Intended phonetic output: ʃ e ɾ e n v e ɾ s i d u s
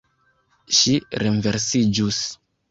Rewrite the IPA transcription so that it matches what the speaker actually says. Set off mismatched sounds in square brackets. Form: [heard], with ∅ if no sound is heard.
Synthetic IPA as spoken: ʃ [i] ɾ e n v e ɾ s i [d͡ʒ] u s